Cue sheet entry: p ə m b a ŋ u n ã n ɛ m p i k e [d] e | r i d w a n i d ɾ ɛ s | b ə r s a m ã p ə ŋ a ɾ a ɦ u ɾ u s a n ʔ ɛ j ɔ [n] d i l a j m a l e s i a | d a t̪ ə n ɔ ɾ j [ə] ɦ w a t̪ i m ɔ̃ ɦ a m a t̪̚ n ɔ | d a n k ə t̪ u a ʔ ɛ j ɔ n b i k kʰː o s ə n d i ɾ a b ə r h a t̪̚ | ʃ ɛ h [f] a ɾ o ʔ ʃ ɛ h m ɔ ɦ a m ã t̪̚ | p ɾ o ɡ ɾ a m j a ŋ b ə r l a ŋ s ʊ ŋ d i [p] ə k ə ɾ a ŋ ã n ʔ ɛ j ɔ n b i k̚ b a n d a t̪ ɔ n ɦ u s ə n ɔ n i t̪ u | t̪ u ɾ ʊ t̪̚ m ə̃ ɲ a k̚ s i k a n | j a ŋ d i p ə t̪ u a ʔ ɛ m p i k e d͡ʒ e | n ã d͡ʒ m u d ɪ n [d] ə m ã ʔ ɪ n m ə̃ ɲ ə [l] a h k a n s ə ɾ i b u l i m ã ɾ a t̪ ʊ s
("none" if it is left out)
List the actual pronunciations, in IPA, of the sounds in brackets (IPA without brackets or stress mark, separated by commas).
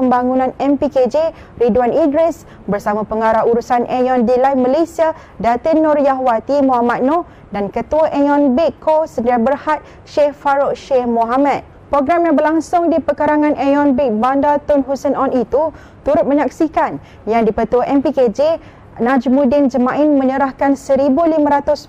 d͡ʒ, n, a, f, p, d͡ʒ, ɾ